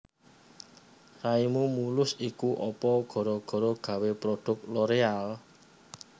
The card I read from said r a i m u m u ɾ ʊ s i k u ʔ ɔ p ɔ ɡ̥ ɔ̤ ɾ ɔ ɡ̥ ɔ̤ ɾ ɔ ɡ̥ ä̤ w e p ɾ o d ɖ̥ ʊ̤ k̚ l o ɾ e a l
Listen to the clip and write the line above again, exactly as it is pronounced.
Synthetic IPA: r a i m u m u l ʊ s i k u ʔ ɔ p ɔ ɡ̥ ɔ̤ ɾ ɔ ɡ̥ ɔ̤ ɾ ɔ ɡ̥ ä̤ w e p ɾ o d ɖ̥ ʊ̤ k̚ l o ɾ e a l

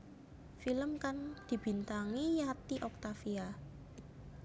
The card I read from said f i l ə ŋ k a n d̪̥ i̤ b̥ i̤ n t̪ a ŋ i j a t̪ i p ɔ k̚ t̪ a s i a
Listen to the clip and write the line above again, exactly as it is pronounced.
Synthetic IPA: f i l ə m k a n d̪̥ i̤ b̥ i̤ n t̪ a ŋ i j a t̪ i ʔ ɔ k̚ t̪ a f i a

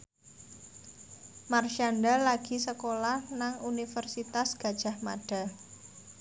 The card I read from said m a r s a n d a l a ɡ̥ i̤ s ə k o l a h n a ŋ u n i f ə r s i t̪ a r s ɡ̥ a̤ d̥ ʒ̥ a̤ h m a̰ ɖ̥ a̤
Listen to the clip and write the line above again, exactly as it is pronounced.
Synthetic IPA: m a r ʃ a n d a l a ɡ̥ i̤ s ə k o l a h n a ŋ u n i f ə r s i t̪ a s ɡ̥ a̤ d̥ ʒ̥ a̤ h m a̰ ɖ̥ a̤

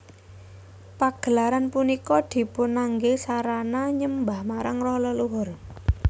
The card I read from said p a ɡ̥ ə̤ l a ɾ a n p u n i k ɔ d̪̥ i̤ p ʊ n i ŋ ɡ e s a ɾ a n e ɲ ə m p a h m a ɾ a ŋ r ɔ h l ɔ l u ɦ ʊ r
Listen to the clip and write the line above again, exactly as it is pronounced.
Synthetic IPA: p a ɡ̥ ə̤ l a ɾ a n p u n i k ɔ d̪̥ i̤ p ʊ n a ŋ ɡ e s a ɾ a n a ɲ ə m b a h m a ɾ a ŋ r ɔ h l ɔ l u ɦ ʊ r

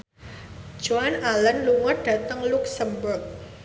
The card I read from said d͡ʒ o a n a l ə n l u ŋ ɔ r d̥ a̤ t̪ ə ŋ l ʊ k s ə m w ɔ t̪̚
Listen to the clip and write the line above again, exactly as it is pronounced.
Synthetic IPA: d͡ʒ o a n a l ə n l u ŋ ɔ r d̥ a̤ t̪ ə ŋ l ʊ k s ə m b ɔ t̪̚

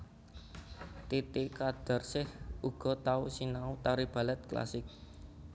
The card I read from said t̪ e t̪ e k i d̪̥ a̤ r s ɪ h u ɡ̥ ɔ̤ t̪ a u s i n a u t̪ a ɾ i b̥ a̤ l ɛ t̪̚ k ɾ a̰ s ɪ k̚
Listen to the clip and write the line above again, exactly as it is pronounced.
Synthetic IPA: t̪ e t̪ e k a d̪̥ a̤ r s ɪ h u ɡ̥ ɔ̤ t̪ a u s i n a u t̪ a ɾ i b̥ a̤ l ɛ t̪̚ k l a̰ s ɪ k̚

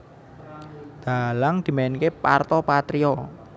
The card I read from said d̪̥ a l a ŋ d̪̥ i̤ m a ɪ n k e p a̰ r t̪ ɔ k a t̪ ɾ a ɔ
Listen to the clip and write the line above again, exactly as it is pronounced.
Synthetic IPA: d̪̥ a l a ŋ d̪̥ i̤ m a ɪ n k e p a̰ r t̪ ɔ p a t̪ ɾ i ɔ

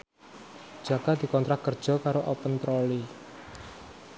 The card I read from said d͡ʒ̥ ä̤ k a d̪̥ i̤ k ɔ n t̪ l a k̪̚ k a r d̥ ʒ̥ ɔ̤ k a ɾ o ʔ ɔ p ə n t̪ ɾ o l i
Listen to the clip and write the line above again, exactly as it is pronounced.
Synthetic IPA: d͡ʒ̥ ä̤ k a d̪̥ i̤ k ɔ n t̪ ɾ a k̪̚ k ə r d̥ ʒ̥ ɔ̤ k a ɾ o ʔ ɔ p ə n t̪ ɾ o l i

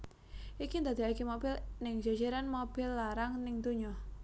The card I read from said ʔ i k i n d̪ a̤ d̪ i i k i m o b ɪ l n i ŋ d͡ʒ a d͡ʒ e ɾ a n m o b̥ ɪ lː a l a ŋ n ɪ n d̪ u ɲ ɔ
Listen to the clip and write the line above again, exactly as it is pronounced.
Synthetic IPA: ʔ i k i n d̪ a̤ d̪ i a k i m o b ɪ l n ɪ ŋ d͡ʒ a d͡ʒ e ɾ a n m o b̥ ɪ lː a ɾ a ŋ n ɪ ŋ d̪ u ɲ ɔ

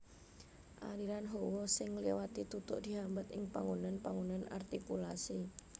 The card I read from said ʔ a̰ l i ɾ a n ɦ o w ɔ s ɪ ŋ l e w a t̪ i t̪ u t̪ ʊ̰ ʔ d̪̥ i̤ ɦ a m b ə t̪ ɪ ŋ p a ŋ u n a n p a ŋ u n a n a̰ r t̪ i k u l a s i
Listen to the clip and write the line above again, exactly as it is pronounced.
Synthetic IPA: ʔ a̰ ɾ i ɾ a n ɦ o w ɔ s ɪ ŋ l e w a t̪ i t̪ u t̪ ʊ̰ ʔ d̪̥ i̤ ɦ a m b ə t̪ ɪ ŋ p a ŋ u n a n p a ŋ u n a n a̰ r t̪ i k u l a s i

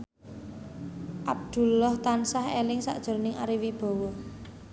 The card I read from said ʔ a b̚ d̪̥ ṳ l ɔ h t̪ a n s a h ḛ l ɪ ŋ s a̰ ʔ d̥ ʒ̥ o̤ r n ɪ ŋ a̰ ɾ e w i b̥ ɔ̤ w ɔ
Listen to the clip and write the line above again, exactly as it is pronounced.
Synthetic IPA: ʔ a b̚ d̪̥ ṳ l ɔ h t̪ a n s a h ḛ l ɪ ŋ s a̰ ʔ d̥ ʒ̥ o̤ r n ɪ ŋ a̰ ɾ i w i b̥ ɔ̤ w ɔ

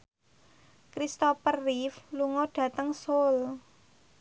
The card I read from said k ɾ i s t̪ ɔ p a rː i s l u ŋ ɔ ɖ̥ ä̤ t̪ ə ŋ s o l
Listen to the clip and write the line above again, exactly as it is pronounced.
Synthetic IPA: k ɾ i s t̪ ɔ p ə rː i f l u ŋ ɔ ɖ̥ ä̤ t̪ ə ŋ s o l

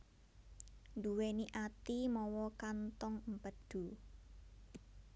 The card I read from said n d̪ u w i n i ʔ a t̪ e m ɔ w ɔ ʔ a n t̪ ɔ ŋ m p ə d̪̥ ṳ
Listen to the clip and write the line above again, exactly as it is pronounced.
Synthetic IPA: n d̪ u w e n i ʔ a t̪ i m ɔ w ɔ k a n t̪ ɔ ŋ m p ə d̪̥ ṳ

